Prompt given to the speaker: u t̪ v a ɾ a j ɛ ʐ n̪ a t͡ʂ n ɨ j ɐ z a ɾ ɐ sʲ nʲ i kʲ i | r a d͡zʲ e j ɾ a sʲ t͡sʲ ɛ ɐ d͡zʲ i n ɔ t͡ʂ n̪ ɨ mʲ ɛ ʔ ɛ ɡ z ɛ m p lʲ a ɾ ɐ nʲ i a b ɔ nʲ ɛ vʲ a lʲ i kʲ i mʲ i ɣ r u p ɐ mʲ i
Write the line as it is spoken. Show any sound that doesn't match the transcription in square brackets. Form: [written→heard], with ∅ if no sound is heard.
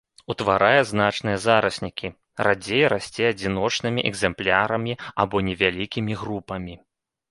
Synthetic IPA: u t̪ v a ɾ a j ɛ [ʐ→z] n̪ a t͡ʂ n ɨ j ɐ z a ɾ ɐ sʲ nʲ i kʲ i | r a d͡zʲ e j ɾ a sʲ t͡sʲ ɛ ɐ d͡zʲ i n ɔ t͡ʂ n̪ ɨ mʲ [ɛ→i] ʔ ɛ ɡ z ɛ m p lʲ a ɾ ɐ [nʲ→mʲ] i a b ɔ nʲ ɛ vʲ a lʲ i kʲ i mʲ i ɣ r u p ɐ mʲ i